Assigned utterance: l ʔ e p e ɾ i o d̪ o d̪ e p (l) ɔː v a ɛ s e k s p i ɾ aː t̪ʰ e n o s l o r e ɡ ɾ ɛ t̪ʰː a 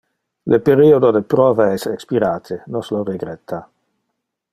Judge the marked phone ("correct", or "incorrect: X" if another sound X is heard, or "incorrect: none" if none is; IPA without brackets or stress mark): incorrect: ɾ